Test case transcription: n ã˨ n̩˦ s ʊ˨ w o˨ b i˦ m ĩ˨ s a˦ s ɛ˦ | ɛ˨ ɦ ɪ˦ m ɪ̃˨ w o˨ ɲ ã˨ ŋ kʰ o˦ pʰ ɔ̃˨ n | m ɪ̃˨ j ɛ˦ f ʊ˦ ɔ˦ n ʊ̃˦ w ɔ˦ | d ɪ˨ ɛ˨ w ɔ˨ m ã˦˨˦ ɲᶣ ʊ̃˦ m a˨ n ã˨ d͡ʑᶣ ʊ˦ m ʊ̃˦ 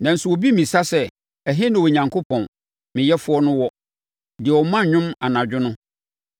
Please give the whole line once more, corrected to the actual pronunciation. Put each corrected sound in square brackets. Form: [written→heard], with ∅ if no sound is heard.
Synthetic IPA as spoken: n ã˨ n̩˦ s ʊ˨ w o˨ b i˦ m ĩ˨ s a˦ s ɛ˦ | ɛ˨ ɦ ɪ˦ [m→n] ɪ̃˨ w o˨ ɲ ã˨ ŋ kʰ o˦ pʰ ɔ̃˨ n | m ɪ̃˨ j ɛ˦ f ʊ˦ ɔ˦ n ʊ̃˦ w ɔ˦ | d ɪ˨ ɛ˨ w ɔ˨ m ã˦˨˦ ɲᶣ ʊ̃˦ m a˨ n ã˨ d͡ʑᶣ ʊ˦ [m→n] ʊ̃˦